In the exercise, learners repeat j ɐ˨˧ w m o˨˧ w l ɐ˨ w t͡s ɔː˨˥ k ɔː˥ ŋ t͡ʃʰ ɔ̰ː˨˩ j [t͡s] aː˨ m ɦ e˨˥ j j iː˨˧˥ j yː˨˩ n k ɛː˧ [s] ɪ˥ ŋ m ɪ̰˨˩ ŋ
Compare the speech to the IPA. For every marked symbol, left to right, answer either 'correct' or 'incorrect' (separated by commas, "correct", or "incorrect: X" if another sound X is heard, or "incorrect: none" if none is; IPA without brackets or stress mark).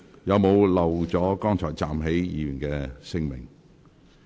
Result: correct, correct